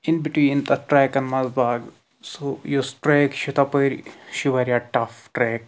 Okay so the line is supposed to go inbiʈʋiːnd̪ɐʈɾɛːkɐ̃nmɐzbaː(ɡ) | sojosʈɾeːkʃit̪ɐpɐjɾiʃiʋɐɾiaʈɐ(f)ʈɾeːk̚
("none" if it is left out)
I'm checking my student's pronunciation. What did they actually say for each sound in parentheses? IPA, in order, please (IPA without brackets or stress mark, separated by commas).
ɡ, f